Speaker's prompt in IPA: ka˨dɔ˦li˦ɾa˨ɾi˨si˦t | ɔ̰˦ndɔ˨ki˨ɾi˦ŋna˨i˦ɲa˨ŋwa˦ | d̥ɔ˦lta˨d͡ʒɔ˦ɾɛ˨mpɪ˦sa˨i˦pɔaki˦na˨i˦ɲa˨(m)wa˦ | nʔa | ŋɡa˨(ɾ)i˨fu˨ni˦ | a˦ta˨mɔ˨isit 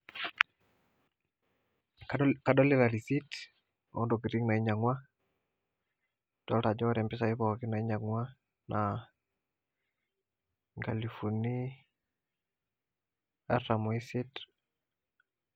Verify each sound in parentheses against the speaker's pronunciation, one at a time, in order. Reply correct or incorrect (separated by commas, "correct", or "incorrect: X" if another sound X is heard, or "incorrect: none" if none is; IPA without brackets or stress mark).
incorrect: ŋ, incorrect: l